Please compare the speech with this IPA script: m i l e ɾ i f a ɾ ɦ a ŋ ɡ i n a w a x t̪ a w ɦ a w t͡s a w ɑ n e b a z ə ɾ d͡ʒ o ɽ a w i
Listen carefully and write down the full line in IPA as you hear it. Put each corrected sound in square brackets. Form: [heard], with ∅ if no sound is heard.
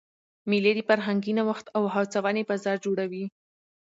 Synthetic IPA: m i l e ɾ i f a ɾ ɦ a ŋ ɡ i n a w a x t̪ a w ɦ a w t͡s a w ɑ n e b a z [ɑ] ɾ d͡ʒ o ɽ a w i